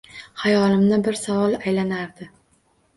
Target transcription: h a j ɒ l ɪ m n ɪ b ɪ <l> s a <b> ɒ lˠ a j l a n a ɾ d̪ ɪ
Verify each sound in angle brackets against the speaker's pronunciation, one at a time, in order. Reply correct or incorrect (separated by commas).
incorrect, incorrect